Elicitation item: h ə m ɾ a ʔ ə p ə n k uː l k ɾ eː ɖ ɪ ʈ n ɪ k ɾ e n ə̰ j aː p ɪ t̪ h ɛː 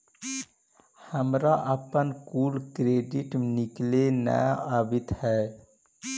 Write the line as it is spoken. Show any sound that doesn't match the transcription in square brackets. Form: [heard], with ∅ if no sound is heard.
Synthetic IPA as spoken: h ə m ɾ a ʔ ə p ə n k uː l k ɾ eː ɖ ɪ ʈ n ɪ k [l] e n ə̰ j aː [b] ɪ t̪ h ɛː